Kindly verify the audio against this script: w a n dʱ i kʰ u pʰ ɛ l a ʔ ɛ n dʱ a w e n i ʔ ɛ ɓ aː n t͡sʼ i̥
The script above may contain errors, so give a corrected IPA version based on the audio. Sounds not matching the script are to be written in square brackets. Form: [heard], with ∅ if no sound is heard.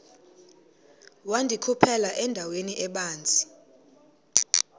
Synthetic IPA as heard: w a n dʱ i kʰ u pʰ ɛ l a ʔ ɛ n dʱ a w e n i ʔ ɛ ɓ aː n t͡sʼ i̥